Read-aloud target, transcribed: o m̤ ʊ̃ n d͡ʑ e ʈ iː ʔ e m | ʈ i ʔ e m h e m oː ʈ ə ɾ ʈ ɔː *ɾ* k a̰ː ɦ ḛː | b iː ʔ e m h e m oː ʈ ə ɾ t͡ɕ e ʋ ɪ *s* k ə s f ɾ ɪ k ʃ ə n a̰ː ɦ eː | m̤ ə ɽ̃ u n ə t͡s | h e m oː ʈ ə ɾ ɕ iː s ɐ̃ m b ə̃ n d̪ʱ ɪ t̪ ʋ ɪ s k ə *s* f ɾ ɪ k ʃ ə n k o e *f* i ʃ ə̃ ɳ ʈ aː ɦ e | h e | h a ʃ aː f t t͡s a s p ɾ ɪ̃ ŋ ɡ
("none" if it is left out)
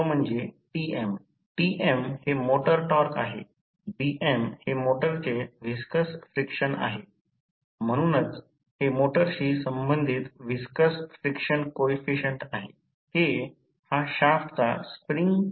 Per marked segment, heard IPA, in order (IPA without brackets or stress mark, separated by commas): ɾ, s, s, f